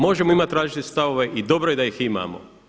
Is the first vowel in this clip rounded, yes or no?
yes